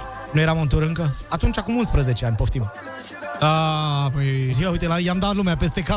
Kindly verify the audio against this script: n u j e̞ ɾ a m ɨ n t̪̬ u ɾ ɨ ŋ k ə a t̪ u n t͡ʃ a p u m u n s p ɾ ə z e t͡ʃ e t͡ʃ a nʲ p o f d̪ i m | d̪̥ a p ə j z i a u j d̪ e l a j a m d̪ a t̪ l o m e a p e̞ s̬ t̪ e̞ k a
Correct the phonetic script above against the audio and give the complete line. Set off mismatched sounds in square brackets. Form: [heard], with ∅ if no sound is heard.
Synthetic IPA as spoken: n u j e̞ ɾ a m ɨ n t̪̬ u ɾ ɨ ŋ k ə a t̪ u n t͡ʃ a [k] u m u n s p ɾ ə z e t͡ʃ e [∅] a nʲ p o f [t̪] i m | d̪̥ a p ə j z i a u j [t̪] e l a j a m d̪ a t̪ l [u] m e a p e̞ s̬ t̪ e̞ k a